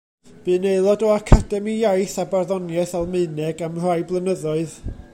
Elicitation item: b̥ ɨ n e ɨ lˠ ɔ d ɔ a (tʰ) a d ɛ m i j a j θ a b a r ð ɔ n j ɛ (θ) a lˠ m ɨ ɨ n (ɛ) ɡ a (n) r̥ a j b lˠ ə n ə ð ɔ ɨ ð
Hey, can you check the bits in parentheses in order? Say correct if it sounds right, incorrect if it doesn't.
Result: incorrect: kʰ, correct, correct, incorrect: m

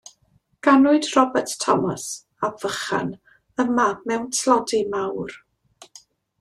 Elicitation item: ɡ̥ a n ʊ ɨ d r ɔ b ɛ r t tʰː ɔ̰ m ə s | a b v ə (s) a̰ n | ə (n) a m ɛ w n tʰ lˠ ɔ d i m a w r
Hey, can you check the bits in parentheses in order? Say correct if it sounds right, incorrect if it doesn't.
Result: incorrect: χ, incorrect: m

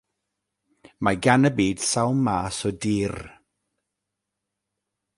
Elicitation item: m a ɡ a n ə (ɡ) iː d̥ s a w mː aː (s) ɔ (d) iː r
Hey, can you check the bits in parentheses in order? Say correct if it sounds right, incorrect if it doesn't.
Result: incorrect: b, correct, correct

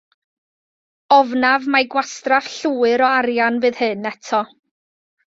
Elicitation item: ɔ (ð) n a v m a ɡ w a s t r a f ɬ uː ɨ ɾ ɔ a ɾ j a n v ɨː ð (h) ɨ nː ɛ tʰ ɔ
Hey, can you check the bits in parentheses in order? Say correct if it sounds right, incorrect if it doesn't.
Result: incorrect: v, correct

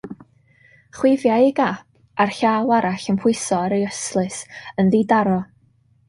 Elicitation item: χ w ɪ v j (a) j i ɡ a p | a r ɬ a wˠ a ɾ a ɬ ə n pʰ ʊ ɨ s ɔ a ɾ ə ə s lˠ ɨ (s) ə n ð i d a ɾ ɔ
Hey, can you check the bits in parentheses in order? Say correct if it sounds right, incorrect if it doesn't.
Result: correct, correct

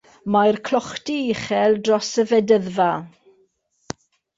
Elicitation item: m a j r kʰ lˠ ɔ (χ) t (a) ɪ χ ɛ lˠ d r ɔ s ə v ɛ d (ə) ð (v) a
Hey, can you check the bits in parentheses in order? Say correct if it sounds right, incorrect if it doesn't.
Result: correct, incorrect: i, correct, correct

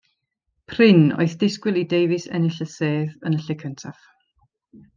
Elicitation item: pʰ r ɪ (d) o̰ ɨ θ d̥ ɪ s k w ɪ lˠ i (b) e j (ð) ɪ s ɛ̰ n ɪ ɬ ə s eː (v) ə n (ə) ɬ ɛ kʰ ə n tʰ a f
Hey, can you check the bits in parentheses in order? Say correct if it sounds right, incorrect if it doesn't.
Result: incorrect: n, incorrect: d, incorrect: v, incorrect: ð, correct

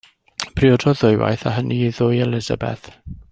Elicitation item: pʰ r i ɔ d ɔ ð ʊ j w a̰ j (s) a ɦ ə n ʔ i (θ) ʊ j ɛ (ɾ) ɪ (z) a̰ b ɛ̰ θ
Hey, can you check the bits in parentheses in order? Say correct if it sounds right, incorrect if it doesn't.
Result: incorrect: θ, incorrect: ð, incorrect: l, correct

